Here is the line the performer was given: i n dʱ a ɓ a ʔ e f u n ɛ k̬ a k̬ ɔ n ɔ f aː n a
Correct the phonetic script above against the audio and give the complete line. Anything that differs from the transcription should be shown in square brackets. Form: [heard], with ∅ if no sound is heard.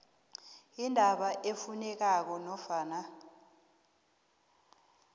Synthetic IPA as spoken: i n dʱ a ɓ a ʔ e f u n ɛ k̬ a k̬ ɔ n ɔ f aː n a